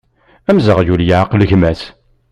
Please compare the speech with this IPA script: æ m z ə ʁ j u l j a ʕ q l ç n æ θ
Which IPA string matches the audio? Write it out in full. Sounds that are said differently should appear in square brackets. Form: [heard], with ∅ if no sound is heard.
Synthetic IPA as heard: æ m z ə ʁ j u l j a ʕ q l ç [m] æ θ